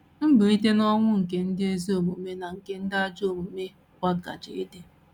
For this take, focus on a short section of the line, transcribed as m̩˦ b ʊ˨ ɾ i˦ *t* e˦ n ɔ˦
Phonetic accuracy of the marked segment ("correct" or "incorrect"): correct